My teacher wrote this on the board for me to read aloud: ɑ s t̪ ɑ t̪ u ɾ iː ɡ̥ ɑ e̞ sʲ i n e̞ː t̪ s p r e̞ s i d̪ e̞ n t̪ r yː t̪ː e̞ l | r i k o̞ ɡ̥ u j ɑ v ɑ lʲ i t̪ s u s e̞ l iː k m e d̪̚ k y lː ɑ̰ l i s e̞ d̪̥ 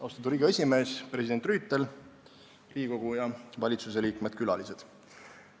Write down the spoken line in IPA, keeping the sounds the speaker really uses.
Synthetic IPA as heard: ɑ s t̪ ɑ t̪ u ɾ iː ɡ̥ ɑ e̞ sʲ i m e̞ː s p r e̞ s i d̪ e̞ n t̪ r yː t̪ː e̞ l | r iː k o̞ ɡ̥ u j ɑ v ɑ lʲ i t̪ s u s e̞ l iː k m e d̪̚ k y l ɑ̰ l i s e̞ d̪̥